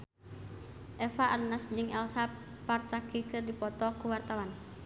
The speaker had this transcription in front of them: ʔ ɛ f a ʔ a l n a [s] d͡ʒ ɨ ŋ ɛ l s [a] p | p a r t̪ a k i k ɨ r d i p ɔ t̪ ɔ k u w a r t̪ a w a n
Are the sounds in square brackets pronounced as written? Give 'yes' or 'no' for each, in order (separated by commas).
yes, yes